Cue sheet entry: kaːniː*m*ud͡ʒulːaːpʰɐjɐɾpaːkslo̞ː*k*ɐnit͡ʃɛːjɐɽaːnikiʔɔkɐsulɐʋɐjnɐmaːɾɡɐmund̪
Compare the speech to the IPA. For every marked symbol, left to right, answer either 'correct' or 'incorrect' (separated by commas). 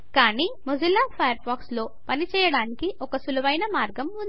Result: correct, incorrect